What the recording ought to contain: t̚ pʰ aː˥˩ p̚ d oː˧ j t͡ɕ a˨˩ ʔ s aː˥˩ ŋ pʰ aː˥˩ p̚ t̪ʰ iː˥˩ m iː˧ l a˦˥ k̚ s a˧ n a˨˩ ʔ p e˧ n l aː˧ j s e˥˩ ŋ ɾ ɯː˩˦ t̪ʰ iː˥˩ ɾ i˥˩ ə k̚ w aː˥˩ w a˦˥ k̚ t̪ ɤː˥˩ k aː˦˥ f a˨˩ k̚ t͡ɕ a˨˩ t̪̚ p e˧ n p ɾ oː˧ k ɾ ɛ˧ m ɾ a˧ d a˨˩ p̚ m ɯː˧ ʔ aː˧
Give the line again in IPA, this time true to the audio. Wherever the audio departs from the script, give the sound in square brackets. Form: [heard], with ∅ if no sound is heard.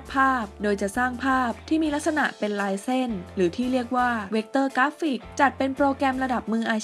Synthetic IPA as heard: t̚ pʰ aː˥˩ p̚ d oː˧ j t͡ɕ a˨˩ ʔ s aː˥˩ ŋ pʰ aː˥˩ p̚ t̪ʰ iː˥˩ m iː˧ l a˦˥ k̚ s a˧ n a˨˩ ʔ p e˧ n l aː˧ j s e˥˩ [n] ɾ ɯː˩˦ t̪ʰ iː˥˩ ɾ i˥˩ ə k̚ w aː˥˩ w [e˦˥] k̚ t̪ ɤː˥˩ k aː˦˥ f [i˨˩] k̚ t͡ɕ a˨˩ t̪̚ p e˧ n p ɾ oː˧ k ɾ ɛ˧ m ɾ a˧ d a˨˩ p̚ m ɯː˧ ʔ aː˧